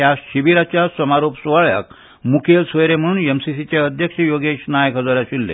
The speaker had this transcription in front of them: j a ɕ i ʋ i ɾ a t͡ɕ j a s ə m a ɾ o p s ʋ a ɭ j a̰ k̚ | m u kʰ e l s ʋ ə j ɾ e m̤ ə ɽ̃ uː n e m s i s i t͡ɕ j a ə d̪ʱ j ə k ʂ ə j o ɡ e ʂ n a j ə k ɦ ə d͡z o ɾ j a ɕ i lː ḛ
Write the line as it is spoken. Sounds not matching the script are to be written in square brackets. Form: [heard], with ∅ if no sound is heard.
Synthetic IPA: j a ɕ i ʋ i ɾ a t͡ɕ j a s ə m a ɾ o p s ʋ a ɭ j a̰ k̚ | m u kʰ e l s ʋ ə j ɾ e m̤ ə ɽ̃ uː n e m s i s i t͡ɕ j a ə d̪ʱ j ə k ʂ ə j o ɡ e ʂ n a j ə k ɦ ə d͡z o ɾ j a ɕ i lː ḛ